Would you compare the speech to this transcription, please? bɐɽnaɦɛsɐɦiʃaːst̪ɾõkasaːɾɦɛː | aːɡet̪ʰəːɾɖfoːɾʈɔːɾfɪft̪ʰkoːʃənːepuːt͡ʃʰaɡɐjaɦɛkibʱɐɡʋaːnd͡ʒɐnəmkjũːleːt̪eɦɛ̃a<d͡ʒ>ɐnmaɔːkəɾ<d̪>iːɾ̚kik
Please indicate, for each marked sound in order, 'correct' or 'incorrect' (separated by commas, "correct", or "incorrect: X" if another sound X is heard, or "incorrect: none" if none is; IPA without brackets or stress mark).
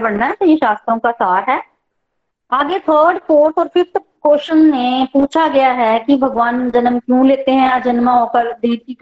correct, correct